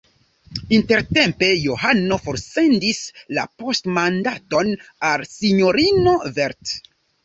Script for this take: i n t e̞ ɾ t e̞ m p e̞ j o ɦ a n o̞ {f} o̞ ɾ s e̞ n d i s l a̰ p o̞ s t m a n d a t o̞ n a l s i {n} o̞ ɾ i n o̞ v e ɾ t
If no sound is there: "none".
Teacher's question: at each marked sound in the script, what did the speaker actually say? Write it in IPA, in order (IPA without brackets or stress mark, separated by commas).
f, ɲ